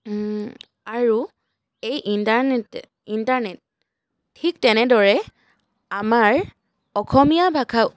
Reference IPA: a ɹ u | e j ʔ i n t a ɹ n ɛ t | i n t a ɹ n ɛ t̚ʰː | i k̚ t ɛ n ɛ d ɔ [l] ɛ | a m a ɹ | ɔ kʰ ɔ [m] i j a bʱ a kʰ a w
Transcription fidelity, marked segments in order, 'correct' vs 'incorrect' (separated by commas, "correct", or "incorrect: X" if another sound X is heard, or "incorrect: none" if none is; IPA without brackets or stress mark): incorrect: ɹ, correct